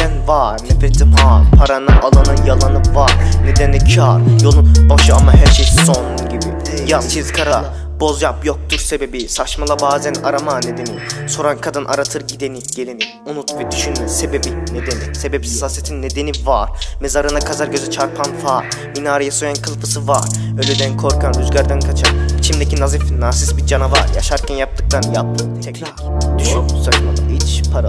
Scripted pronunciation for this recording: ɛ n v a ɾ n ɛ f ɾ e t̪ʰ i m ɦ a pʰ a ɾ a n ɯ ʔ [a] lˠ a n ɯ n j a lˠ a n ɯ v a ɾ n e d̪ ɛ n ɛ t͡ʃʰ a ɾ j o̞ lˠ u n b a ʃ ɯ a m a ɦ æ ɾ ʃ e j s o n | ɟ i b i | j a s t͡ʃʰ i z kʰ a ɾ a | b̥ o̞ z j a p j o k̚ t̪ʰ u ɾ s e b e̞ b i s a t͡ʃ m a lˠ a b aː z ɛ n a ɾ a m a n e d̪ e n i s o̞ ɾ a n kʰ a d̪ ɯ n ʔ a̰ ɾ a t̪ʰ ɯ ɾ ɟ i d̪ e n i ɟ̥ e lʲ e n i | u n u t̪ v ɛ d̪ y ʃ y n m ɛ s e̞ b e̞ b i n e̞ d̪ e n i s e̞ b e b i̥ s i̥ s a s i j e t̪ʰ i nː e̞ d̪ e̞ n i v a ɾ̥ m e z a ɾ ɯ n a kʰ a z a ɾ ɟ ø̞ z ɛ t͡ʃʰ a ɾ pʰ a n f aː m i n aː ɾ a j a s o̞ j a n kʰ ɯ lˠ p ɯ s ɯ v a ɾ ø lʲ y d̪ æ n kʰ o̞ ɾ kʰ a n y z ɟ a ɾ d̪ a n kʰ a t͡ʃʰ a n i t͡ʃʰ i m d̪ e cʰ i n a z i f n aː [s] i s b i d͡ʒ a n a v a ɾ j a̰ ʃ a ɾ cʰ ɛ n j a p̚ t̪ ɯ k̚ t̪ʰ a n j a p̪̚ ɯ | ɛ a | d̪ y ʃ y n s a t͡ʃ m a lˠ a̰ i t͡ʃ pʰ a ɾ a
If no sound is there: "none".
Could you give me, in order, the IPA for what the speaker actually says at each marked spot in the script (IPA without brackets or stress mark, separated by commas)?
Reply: a, s